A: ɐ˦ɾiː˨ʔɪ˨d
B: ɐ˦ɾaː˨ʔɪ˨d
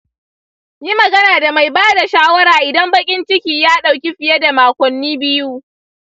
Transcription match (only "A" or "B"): B